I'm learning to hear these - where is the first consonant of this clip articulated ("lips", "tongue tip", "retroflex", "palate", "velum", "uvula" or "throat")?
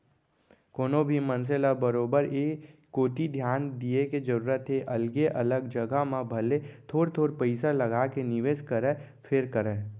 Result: velum